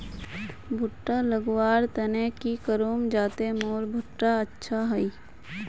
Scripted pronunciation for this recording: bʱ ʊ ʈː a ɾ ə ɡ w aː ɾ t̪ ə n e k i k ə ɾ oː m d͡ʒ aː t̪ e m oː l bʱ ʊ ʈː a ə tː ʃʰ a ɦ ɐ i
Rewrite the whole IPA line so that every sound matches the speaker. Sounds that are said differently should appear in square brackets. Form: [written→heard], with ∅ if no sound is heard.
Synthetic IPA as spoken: bʱ ʊ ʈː a [ɾ→l] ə ɡ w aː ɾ t̪ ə n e k i k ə ɾ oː m d͡ʒ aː t̪ e m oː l bʱ ʊ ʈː a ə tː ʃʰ a ɦ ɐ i